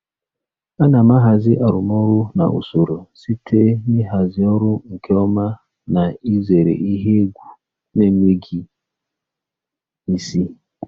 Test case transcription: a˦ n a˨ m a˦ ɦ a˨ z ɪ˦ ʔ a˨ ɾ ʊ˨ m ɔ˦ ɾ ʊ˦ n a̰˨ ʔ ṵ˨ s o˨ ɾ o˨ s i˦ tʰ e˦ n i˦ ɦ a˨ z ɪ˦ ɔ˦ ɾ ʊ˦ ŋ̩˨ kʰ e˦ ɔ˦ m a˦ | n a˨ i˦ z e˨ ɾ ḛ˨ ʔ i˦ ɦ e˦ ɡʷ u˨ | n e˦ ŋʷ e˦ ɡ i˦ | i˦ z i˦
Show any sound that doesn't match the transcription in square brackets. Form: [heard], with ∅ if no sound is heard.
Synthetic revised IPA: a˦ n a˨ m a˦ ɦ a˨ z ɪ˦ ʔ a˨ ɾ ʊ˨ m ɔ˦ ɾ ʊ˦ n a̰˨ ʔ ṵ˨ s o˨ ɾ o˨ s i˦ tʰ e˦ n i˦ ɦ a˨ z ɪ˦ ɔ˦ ɾ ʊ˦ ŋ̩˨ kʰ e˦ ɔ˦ m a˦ | n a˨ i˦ z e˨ ɾ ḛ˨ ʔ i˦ ɦ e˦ ɡʷ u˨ | n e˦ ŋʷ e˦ ɡ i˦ | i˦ [s] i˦

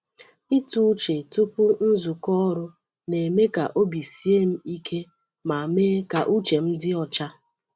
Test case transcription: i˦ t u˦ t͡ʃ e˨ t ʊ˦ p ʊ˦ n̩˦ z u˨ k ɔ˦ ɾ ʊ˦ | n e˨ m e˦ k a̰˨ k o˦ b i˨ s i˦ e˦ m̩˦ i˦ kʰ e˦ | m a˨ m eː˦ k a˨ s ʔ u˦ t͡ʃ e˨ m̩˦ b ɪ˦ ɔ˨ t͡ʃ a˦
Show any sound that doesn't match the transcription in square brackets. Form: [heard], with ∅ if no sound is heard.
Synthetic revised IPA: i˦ t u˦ t͡ʃ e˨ t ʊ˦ p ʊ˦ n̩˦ z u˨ k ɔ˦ ɾ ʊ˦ | n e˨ m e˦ k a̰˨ [ʔ] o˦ b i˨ s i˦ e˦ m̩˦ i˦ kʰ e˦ | m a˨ m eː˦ k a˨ [∅] ʔ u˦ t͡ʃ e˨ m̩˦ [d] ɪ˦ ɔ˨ t͡ʃ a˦

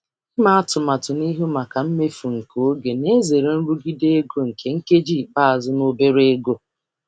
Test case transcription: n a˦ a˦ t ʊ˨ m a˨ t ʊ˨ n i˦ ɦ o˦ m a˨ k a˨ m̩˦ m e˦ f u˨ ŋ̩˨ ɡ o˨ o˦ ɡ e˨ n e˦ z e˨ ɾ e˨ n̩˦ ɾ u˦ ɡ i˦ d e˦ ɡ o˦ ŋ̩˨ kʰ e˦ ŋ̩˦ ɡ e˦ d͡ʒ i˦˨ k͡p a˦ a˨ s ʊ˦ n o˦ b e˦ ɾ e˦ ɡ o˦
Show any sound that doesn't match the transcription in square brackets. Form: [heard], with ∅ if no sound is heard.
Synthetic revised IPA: [m] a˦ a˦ t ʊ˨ m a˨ t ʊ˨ n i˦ ɦ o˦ m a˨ k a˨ m̩˦ m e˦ f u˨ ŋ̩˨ [k] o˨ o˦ ɡ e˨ n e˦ z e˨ ɾ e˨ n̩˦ ɾ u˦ ɡ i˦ d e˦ ɡ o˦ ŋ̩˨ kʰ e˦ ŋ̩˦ [k] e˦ d͡ʒ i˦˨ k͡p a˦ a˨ [z] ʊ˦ n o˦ b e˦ ɾ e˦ ɡ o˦

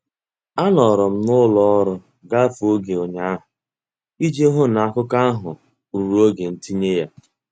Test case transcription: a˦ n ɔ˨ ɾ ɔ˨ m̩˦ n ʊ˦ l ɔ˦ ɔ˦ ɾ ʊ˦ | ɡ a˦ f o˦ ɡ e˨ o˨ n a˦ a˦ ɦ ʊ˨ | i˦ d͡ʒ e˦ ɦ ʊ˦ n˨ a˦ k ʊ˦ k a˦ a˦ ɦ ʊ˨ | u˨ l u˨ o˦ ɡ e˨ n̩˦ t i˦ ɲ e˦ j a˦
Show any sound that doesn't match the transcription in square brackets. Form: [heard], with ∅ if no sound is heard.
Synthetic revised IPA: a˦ n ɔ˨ ɾ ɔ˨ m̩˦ n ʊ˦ l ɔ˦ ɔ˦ ɾ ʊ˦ | ɡ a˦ f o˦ ɡ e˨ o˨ [ɲ] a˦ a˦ ɦ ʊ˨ | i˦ d͡ʒ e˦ ɦ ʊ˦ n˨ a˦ k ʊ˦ k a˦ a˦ ɦ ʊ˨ | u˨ [ɾ] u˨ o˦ ɡ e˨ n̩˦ t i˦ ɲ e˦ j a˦

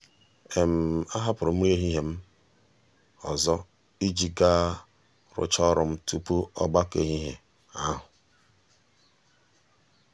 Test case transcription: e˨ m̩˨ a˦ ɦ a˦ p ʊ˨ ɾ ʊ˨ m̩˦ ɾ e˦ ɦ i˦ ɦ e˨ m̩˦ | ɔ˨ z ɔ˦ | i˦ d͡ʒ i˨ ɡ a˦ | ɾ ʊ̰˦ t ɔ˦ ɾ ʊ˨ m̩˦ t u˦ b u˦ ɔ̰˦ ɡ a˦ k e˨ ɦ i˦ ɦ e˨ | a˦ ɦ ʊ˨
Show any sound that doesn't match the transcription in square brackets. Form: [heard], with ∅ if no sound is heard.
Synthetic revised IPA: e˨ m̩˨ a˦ ɦ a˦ p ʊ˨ ɾ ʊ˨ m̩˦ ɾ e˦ ɦ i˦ ɦ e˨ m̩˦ | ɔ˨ z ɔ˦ | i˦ d͡ʒ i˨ ɡ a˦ | ɾ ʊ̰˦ [t͡ʃ] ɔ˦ ɾ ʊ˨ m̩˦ t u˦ [p] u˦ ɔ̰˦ [ɡ͡b] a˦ k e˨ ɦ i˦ ɦ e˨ | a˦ ɦ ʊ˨

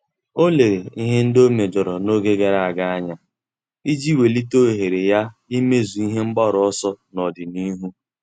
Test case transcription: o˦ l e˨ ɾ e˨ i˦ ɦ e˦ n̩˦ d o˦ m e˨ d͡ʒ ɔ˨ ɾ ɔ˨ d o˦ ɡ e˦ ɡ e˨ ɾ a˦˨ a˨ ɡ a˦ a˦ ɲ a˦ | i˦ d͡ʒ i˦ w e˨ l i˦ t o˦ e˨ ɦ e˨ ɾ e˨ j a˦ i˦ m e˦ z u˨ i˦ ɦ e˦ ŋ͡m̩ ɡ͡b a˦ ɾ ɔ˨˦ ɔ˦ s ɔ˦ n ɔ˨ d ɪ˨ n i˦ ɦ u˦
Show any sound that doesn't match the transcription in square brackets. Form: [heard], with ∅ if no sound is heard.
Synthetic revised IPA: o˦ l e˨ ɾ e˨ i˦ ɦ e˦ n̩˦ d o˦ m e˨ d͡ʒ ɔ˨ ɾ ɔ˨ [n] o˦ ɡ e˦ ɡ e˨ ɾ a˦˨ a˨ ɡ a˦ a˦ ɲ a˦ | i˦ d͡ʒ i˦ w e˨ l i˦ t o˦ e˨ ɦ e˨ ɾ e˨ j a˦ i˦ m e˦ z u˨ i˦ ɦ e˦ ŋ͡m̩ ɡ͡b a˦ ɾ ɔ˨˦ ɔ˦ s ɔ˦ n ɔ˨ d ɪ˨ n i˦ ɦ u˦

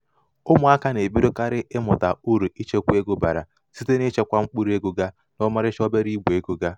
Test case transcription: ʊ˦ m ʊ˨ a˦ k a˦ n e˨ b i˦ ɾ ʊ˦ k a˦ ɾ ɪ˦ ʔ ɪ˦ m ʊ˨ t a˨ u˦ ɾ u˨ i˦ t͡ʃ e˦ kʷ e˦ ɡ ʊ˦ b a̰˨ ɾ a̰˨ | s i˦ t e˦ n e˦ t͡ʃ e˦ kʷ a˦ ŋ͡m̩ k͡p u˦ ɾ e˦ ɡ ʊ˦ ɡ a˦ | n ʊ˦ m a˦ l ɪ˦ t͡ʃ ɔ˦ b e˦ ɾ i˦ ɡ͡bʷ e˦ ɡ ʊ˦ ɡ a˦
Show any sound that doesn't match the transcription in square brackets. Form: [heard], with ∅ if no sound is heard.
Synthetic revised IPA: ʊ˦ m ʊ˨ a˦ k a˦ n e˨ b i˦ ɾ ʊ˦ k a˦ ɾ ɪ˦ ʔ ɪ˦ m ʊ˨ t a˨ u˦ ɾ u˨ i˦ t͡ʃ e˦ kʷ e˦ ɡ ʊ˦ b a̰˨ ɾ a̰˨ | s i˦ t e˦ n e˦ t͡ʃ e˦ kʷ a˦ ŋ͡m̩ k͡p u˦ ɾ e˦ ɡ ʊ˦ ɡ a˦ | n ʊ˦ m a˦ [ɾ] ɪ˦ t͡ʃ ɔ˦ b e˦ ɾ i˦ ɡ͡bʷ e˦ ɡ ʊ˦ ɡ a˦

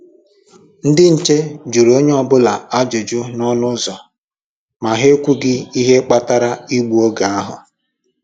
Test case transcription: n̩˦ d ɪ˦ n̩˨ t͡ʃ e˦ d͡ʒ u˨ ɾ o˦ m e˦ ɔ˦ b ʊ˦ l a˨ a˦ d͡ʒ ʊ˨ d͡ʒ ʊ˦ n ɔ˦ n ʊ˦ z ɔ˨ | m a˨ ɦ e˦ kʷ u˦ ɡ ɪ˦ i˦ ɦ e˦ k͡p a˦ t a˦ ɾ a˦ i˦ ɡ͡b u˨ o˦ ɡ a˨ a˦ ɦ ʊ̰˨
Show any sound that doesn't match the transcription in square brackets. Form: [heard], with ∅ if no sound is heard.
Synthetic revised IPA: n̩˦ d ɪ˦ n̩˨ t͡ʃ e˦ d͡ʒ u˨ ɾ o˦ [ɲ] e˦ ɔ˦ b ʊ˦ l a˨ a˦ d͡ʒ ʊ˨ d͡ʒ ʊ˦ n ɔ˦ n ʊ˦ z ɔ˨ | m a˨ ɦ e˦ kʷ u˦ ɡ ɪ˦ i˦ ɦ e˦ k͡p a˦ t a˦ ɾ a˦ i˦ ɡ͡b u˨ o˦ ɡ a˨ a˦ ɦ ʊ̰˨

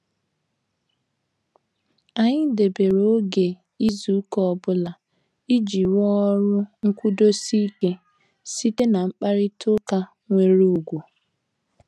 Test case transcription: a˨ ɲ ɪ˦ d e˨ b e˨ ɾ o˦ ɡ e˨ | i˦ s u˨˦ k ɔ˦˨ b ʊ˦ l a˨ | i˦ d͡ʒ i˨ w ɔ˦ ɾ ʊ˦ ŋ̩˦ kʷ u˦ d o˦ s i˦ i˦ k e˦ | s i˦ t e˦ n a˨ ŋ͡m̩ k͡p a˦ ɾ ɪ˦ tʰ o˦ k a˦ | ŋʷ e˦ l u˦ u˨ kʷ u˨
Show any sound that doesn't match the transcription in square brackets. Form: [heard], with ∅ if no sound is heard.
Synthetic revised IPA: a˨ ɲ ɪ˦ d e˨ b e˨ ɾ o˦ ɡ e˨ | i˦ [z] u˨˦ k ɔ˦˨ b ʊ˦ l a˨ | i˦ d͡ʒ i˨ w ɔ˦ ɾ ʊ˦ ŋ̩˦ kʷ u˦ d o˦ s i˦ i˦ k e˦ | s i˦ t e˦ n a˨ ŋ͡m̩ k͡p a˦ ɾ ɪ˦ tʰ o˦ k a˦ | ŋʷ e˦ [ɾ] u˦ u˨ [ɡʷ] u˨

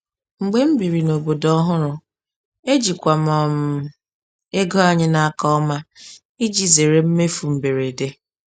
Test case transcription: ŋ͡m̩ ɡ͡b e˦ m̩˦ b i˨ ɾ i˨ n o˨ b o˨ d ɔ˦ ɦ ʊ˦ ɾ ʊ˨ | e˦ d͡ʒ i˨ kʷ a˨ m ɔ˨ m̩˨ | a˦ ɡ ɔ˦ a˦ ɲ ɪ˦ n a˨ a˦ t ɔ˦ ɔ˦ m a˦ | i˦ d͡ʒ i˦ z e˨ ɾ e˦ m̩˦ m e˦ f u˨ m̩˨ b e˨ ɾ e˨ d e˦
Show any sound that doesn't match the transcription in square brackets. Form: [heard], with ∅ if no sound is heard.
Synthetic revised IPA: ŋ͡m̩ ɡ͡b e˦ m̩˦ b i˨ ɾ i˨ n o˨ b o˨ d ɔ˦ ɦ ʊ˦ ɾ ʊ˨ | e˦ d͡ʒ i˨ kʷ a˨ m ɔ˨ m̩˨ | [e˦] ɡ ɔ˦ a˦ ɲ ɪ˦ n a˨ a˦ [k] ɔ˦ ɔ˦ m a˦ | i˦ d͡ʒ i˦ z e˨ ɾ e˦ m̩˦ m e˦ f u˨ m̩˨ b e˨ ɾ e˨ d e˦

